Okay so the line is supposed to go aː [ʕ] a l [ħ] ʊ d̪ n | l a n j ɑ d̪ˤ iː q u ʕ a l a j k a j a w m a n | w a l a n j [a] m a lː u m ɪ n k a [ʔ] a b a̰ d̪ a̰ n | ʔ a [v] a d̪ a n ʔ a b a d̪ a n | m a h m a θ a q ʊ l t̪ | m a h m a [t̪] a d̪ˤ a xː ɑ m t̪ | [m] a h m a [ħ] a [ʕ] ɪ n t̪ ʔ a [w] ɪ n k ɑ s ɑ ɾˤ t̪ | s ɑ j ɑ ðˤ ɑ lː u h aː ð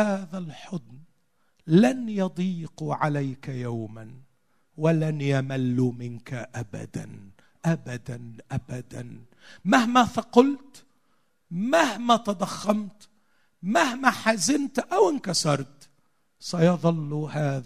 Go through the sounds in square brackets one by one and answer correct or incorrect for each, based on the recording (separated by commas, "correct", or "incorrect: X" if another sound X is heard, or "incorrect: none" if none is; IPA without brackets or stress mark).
incorrect: ð, correct, correct, correct, incorrect: b, correct, correct, correct, incorrect: z, correct